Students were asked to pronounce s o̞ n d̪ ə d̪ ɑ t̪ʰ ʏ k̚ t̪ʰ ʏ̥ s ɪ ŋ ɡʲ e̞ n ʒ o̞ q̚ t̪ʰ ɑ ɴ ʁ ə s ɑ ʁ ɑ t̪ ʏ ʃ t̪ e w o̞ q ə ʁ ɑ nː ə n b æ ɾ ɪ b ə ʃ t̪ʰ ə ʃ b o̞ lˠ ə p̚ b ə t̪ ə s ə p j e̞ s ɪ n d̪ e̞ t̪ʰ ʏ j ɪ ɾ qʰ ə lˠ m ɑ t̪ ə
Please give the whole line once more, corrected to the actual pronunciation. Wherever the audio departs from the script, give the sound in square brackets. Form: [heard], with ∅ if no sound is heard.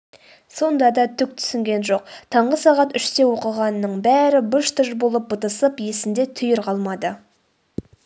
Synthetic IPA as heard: s o̞ n d̪ [ɑ] d̪ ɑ t̪ʰ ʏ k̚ t̪ʰ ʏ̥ s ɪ ŋ ɡʲ e̞ n ʒ o̞ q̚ t̪ʰ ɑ ɴ ʁ ə s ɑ ʁ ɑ t̪ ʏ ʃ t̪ e w o̞ q ə ʁ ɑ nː ə [ɴ] b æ ɾ ɪ b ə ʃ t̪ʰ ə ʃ b o̞ lˠ ə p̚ b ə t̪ ə s ə p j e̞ s ɪ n d̪ e̞ t̪ʰ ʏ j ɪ ɾ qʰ [ɑ] lˠ m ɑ [d̪] ə